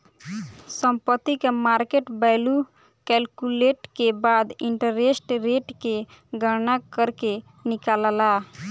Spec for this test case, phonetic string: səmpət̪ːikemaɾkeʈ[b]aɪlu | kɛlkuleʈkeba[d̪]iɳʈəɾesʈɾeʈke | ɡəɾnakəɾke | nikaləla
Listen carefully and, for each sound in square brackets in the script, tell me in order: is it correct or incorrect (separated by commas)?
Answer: correct, correct